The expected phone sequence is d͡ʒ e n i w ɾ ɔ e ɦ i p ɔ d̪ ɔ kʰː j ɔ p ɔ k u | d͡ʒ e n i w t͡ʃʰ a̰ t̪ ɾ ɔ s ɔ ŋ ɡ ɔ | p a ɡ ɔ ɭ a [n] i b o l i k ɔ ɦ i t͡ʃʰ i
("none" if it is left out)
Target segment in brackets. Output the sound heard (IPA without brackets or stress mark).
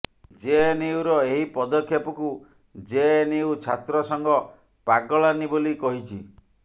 n